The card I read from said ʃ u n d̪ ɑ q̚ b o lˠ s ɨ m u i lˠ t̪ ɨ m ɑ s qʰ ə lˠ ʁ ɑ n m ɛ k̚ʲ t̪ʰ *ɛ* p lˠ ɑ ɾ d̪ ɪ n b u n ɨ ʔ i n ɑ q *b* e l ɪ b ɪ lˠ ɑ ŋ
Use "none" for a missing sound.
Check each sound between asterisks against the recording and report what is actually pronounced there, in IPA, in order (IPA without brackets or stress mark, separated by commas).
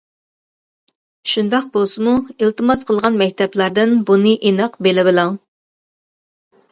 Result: ɛ, b